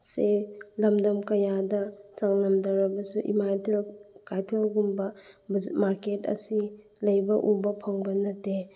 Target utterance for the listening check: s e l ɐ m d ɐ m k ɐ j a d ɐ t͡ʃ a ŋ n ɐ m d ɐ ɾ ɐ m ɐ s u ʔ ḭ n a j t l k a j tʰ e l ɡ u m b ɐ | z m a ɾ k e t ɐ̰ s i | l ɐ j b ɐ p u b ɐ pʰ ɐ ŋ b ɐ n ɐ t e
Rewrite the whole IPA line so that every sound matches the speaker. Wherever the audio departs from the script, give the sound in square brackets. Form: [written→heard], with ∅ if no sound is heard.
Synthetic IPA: s e l ɐ m d ɐ m k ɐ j a d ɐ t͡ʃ a ŋ n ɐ m d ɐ ɾ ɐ [m→b] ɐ s u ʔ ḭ [n→m] a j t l k a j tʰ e l ɡ u m b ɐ | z m a ɾ k e t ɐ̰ s i | l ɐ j b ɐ [p→ʔ] u b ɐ pʰ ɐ ŋ b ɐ n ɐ t e